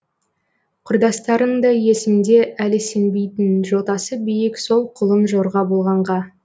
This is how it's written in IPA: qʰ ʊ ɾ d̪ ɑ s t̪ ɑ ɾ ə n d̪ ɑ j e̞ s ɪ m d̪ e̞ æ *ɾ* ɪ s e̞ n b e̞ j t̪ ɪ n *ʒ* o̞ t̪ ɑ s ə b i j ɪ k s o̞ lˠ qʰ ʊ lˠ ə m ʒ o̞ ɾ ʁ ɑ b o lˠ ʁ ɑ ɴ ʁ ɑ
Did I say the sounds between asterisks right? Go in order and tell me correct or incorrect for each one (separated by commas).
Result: incorrect, correct